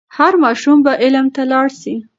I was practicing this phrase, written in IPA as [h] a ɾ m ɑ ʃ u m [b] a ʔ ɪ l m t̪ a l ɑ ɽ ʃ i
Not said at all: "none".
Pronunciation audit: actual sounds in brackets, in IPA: h, b

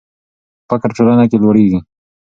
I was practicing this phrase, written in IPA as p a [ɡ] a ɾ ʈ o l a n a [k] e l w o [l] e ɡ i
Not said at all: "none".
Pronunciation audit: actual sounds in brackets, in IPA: k, k, ɽ

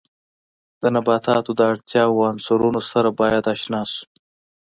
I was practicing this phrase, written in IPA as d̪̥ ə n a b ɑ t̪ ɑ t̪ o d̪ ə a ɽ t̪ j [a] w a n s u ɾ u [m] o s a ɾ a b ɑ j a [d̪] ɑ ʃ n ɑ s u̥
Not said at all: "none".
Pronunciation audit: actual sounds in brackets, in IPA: ɑ, n, d̪

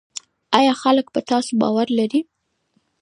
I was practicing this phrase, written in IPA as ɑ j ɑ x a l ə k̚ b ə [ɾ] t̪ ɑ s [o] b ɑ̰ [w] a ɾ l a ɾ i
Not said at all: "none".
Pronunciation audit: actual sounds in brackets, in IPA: none, o, w

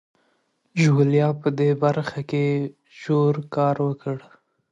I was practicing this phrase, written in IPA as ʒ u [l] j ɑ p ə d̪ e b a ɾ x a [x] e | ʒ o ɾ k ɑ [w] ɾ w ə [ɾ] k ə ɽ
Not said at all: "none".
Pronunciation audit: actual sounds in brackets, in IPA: l, k, none, none

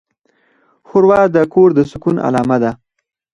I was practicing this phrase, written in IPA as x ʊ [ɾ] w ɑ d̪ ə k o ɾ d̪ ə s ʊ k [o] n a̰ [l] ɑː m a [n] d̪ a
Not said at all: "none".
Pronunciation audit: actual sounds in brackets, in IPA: ɾ, u, l, none

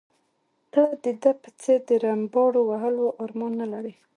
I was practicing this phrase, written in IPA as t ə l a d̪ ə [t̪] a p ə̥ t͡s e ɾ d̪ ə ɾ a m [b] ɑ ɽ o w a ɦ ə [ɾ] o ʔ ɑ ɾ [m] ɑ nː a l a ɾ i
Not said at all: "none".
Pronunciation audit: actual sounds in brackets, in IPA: d̪, b, l, m

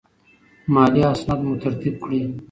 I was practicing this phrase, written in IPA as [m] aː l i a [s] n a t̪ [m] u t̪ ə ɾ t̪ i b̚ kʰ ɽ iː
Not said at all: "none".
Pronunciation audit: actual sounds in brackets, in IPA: m, s, m

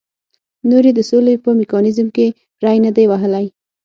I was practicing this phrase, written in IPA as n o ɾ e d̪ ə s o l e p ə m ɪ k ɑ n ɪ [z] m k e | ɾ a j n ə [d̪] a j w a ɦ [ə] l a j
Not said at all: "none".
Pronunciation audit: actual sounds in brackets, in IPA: z, d̪, ə

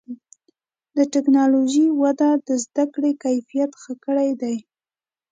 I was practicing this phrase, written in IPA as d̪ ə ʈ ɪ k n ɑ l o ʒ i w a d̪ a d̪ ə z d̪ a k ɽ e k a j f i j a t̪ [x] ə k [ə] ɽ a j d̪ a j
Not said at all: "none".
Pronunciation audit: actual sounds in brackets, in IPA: x, ə

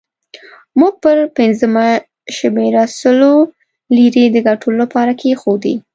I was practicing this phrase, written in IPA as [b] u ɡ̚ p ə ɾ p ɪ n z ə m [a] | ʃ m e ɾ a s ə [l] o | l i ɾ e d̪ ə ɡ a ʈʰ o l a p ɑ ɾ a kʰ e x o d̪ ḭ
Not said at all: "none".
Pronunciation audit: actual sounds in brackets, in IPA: m, a, l

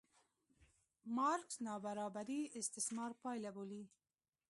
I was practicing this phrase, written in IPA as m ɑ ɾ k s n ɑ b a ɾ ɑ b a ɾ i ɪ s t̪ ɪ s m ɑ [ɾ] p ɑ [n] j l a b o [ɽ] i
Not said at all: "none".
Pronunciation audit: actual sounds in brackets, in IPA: ɾ, none, l

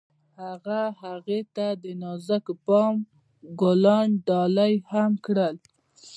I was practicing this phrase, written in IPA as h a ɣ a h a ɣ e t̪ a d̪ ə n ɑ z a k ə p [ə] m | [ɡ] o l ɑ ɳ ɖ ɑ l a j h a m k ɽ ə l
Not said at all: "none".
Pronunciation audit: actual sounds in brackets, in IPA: ɑ, ɡ

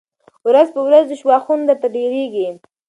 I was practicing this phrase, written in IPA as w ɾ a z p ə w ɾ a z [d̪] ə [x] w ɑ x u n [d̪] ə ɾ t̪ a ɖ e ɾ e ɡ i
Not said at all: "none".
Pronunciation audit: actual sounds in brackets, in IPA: d̪, ʃ, d̪

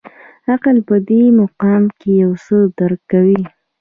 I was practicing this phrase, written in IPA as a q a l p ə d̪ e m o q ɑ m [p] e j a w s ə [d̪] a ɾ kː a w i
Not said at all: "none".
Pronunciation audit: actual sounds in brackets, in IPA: k, d̪

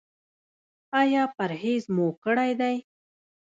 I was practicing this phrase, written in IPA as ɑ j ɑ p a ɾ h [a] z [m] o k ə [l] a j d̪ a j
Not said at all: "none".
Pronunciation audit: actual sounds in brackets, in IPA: e, m, ɽ

